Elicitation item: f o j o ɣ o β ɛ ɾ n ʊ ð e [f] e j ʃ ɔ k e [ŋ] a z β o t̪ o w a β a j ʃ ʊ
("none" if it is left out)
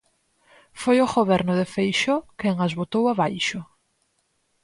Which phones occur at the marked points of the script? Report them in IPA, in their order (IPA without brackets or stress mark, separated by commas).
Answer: f, ŋ